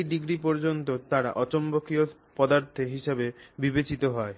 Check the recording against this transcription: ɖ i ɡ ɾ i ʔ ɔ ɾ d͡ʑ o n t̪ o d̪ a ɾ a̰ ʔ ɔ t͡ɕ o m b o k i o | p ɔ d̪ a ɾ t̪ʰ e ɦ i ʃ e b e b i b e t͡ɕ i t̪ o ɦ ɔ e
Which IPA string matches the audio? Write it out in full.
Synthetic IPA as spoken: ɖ i ɡ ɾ i p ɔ ɾ d͡ʑ o n t̪ o t̪ a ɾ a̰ ʔ ɔ t͡ɕ o m b o k i o | p ɔ d̪ a ɾ t̪ʰ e ɦ i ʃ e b e b i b e t͡ɕ i t̪ o ɦ ɔ e